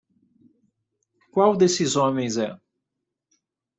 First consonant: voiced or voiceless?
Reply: voiceless